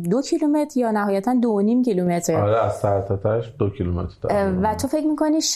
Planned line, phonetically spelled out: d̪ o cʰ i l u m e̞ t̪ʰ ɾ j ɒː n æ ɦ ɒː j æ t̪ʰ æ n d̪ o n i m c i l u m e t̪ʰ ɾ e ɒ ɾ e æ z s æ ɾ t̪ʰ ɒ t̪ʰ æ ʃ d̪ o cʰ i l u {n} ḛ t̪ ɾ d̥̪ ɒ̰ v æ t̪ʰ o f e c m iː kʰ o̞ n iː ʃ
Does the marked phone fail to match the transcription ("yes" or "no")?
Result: yes